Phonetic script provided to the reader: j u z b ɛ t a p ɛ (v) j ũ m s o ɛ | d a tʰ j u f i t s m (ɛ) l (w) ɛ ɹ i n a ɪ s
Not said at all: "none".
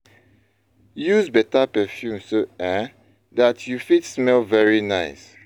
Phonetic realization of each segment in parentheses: f, ɛ, v

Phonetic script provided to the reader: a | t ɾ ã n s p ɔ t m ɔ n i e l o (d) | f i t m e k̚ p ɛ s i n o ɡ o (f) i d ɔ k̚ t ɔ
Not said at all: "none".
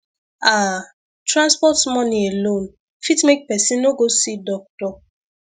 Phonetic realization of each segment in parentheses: n, s

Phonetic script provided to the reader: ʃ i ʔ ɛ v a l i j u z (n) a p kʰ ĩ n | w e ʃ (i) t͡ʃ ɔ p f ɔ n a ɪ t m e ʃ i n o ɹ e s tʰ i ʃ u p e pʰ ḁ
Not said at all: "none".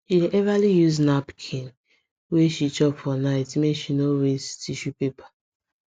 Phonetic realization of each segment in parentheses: n, i

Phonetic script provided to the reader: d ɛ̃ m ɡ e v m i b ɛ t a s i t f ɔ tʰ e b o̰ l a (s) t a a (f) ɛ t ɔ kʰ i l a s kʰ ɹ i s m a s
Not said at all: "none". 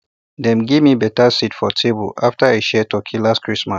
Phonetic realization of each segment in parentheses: f, ʃ

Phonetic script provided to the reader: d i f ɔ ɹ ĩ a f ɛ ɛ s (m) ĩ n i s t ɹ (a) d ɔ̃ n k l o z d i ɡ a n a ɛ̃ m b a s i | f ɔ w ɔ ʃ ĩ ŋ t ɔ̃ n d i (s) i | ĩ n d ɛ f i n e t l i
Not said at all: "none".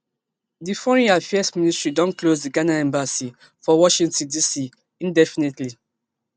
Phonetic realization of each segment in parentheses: m, i, s

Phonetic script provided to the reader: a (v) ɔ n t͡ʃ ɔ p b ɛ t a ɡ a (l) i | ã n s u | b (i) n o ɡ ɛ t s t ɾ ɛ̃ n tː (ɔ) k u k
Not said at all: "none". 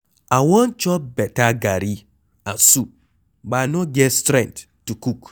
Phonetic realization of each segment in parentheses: w, ɾ, a, u

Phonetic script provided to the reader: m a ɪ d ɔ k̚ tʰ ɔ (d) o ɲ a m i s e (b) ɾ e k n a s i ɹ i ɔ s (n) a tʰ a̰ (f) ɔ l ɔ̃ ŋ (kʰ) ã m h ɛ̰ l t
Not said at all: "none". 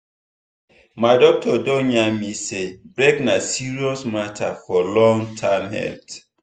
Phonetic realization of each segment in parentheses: d, b, m, f, tʰ

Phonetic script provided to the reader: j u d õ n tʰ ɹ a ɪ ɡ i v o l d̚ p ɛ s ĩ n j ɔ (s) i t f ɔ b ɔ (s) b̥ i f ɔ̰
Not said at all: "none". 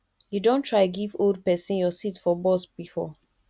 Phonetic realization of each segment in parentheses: s, s

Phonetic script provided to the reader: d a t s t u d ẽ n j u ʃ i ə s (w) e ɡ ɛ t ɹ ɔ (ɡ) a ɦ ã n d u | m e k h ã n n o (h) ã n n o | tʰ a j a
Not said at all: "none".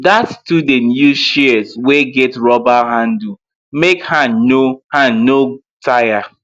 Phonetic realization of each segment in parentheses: w, b, h

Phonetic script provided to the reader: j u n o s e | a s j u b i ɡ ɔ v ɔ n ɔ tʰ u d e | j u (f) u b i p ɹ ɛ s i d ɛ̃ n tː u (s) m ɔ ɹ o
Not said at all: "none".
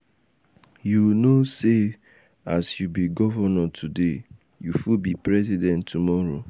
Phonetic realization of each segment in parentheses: f, none

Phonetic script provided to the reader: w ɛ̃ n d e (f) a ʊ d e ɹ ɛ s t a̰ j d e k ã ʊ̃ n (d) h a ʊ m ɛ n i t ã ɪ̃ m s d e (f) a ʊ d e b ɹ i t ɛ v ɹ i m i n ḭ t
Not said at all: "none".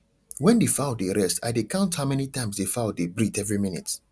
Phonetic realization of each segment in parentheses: f, t, f

